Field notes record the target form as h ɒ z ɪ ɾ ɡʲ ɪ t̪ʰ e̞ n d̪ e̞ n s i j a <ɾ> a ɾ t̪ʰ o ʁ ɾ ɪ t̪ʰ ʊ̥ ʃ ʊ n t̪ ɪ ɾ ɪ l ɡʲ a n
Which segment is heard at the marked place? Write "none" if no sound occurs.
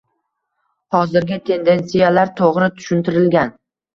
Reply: l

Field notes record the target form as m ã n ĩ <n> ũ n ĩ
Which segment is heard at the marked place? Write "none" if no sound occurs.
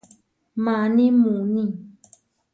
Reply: m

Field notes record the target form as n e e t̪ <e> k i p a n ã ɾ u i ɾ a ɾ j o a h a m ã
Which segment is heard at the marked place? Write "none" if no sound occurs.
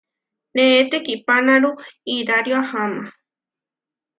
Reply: e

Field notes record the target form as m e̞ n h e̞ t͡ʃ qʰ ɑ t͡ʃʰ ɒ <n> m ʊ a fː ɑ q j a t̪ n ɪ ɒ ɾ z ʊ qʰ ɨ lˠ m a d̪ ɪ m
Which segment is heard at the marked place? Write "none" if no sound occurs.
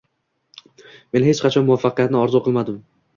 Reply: n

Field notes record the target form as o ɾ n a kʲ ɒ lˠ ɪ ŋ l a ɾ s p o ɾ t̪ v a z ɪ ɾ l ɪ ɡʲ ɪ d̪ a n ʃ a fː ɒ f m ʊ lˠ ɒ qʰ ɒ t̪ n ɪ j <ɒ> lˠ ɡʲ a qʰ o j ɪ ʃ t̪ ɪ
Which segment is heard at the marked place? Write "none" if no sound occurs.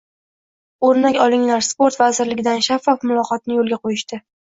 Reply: o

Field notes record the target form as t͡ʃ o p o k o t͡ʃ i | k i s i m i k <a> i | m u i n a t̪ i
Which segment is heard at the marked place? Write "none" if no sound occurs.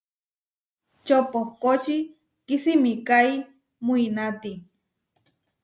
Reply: a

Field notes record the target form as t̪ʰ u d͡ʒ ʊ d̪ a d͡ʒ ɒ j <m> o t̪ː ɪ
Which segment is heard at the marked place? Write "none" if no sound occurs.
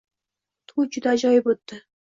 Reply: b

